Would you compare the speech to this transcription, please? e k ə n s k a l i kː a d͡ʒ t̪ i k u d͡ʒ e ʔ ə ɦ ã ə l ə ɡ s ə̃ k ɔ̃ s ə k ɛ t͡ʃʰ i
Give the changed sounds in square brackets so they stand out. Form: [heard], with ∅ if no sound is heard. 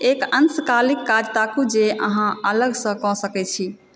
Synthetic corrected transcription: e k ə n s k a l i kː a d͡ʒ t̪ [a] k u d͡ʒ e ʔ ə ɦ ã ə l ə ɡ s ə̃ k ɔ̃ s ə k ɛ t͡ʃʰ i